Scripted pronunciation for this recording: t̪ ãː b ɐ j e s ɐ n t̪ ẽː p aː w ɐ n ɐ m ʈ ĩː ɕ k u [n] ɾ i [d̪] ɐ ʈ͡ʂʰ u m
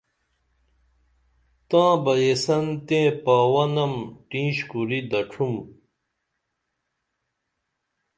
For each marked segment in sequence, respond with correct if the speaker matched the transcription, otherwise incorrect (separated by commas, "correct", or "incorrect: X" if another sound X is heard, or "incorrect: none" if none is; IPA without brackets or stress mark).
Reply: incorrect: none, correct